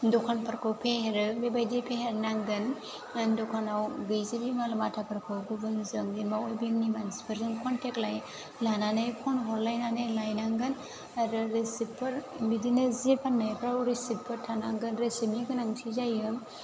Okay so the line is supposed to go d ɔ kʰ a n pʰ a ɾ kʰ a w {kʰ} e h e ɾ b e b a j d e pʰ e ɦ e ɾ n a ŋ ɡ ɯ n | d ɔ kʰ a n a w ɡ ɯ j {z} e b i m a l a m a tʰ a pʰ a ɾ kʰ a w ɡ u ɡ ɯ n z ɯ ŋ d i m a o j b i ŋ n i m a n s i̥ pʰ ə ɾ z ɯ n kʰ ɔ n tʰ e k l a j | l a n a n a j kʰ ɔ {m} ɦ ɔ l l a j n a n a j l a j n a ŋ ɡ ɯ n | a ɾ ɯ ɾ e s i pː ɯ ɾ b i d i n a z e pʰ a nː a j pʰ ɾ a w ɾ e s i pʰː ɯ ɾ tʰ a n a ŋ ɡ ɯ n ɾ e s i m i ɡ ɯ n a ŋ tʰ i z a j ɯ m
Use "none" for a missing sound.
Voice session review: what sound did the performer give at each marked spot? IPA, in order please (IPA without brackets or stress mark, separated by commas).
pʰ, z, n